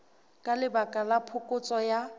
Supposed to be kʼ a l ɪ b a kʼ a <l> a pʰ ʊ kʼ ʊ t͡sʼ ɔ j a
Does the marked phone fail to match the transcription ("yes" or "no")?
no